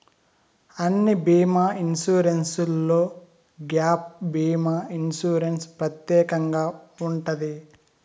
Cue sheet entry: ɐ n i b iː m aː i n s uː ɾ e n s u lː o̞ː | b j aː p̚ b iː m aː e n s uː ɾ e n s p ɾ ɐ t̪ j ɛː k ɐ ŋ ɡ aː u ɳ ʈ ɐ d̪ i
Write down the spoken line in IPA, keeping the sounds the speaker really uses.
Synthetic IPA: ɐ nː i b iː m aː i n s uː ɾ e n s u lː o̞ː | ɡ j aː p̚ b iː m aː i n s uː ɾ e n s p ɾ ɐ t̪ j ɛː k ɐ ŋ ɡ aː u ɳ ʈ ɐ d̪ i

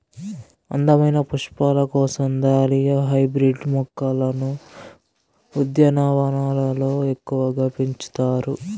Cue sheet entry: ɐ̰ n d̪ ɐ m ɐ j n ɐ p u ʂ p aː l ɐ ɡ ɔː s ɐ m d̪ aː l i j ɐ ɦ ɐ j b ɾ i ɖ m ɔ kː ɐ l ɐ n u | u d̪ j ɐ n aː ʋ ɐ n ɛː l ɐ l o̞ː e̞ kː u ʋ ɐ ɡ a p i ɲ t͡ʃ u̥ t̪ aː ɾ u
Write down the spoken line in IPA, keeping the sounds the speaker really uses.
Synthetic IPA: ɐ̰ n d̪ ɐ m ɐ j n ɐ p u ʂ p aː l ɐ k ɔː s ɐ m d̪ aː l i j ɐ ɦ ɐ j b ɾ i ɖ m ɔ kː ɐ l ɐ n u | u d̪ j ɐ n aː ʋ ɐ n aː l ɐ l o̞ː e̞ kː u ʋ ɐ ɡ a p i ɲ t͡ʃ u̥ t̪ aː ɾ u

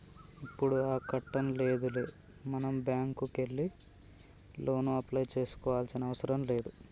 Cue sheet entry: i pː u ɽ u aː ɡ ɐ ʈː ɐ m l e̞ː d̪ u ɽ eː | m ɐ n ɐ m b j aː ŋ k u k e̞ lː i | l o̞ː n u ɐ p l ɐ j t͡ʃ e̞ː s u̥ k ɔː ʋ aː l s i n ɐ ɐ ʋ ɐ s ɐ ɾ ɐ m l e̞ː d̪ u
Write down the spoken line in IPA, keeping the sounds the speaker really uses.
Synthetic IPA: i pː u ɽ u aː k ɐ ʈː ɐ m l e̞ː d̪ u l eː | m ɐ n ɐ m b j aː ŋ k u k e̞ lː i | l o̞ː n u ɐ p l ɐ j t͡ʃ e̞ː s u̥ k ɔː ʋ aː l s i n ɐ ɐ ʋ ɐ s ɐ ɾ ɐ m l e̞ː d̪ u

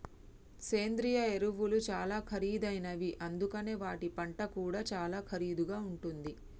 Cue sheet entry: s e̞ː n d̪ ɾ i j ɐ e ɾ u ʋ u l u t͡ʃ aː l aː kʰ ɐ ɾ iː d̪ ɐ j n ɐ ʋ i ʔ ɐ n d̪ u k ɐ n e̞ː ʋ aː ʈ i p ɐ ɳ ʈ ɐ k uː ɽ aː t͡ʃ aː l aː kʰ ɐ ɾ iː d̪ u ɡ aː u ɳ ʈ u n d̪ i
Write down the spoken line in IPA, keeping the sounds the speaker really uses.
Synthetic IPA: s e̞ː n d̪ ɾ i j ɐ e ɾ u ʋ u l u t͡ʃ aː l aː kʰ ɐ ɾ iː d̪ ɐ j n ɐ ʋ i ʔ ɐ n d̪ u k ɐ n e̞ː ʋ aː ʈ i p ɐ ɳ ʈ ɐ k uː ɽ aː t͡ʃ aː l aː kʰ ɐ ɾ iː d̪ u ɡ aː u ɳ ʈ u n d̪ i

